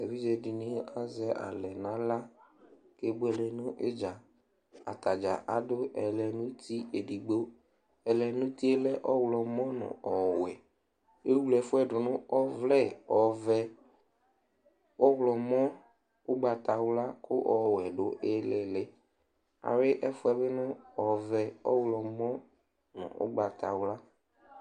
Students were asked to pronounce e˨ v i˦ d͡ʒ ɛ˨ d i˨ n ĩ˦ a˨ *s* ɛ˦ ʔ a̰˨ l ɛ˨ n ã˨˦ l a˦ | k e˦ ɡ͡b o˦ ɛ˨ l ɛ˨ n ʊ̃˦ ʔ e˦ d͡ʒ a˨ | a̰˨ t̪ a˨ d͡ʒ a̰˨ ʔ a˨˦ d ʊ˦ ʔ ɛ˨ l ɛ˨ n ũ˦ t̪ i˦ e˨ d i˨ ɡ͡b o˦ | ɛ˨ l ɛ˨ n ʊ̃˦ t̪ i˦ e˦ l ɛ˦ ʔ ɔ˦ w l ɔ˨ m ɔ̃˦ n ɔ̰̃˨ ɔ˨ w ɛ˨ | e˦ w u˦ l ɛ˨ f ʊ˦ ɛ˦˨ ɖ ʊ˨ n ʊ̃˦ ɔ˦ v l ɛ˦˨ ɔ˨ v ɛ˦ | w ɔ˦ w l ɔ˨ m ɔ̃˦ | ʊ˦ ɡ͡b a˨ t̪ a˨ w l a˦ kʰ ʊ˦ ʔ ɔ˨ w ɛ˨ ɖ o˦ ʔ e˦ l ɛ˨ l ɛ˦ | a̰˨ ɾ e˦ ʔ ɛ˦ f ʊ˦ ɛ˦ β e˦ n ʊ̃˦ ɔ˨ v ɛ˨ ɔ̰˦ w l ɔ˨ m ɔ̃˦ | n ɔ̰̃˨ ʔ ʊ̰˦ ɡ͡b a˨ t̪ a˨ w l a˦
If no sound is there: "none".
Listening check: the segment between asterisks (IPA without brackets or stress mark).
z